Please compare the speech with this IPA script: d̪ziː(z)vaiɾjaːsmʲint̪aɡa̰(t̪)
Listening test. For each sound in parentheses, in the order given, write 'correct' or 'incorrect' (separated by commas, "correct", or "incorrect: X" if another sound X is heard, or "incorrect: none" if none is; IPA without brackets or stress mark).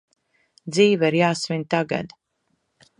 incorrect: none, incorrect: d̪